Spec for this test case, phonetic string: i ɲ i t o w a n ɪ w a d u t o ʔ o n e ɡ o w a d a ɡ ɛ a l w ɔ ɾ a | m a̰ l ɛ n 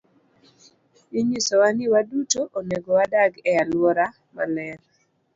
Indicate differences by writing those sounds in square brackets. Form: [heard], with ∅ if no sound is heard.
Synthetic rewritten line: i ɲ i [s] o w a n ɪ w a d u t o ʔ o n e ɡ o w a d a ɡ ɛ a l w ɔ ɾ a | m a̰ l ɛ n